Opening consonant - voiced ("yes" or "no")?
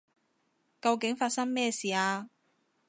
no